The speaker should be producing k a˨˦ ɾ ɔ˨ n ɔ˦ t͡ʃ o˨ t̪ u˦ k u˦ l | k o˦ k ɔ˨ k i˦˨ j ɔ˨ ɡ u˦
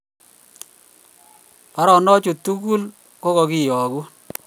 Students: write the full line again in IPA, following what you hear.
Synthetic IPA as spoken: p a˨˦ ɾ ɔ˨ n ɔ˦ t͡ʃ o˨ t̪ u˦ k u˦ l | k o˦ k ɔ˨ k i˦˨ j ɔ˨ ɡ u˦